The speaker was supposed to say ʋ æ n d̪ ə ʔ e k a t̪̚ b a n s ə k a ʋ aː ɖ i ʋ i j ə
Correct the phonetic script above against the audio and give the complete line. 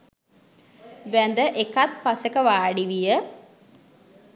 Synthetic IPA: ʋ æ n d̪ ə ʔ e k a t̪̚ p a s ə k ə ʋ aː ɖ i ʋ i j ə